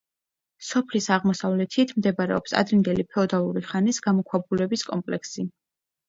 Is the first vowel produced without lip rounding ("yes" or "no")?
no